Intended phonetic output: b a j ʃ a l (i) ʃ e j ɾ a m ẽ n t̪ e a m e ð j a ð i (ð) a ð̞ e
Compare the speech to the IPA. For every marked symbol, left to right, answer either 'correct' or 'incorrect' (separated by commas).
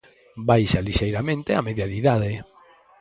correct, correct